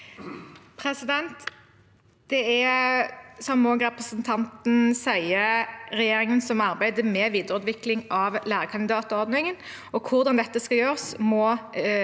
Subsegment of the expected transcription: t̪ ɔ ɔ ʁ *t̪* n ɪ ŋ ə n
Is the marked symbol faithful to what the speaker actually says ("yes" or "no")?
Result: no